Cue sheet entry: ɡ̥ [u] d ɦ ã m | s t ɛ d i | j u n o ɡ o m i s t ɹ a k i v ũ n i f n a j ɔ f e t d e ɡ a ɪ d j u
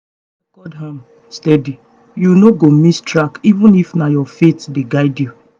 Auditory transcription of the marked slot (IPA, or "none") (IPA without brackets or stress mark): ɔ